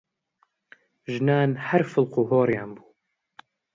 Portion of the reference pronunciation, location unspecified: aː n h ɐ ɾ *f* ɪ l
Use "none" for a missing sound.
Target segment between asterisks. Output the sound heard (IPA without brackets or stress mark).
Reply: f